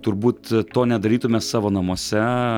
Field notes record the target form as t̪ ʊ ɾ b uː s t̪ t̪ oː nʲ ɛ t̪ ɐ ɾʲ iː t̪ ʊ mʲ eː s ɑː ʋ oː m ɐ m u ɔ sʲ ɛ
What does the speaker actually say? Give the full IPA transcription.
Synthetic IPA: t̪ ʊ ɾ b uː t̪ t̪ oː nʲ ɛ d̪ ɐ ɾʲ iː t̪ ʊ mʲ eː s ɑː ʋ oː n ɐ m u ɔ sʲ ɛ